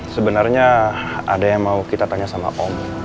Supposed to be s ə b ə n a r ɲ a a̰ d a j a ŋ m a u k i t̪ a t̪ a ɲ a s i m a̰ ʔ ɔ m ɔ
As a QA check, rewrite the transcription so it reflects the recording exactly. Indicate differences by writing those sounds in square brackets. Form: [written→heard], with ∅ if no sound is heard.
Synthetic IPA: s ə b ə n a r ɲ a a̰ d a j a ŋ m a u k i t̪ a t̪ a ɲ a s [i→a] m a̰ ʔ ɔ m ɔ

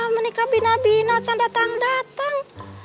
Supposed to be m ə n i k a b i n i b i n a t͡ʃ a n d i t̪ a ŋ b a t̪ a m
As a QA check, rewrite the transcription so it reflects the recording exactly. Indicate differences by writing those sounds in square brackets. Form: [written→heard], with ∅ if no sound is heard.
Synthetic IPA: m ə n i k a b i n [i→a] b i n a t͡ʃ a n d [i→a] t̪ a ŋ [b→d] a t̪ a [m→ŋ]

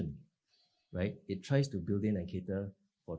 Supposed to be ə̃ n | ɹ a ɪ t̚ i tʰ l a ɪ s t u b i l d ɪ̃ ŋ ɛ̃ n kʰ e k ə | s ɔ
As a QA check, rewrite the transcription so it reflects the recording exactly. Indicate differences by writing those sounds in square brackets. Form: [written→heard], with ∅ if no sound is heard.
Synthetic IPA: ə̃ n | ɹ a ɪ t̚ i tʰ [l→ɹ] a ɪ s t u b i l d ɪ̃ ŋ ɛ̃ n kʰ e [k→t] ə | [s→f] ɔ

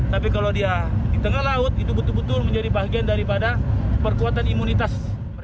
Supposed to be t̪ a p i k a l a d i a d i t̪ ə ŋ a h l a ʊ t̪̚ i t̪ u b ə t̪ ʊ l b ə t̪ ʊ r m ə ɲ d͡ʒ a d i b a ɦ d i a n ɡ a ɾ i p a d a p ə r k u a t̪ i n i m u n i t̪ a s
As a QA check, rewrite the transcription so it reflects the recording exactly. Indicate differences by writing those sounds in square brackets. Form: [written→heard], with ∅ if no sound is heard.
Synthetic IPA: t̪ a p i k a l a d i a d i t̪ ə ŋ a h l a ʊ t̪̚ i t̪ u b ə t̪ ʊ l b ə t̪ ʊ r m ə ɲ d͡ʒ a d i b a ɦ [d→ɡ] i a n [ɡ→d] a ɾ i p a d a p ə r k u a t̪ [i→a] n i m u n i t̪ a s

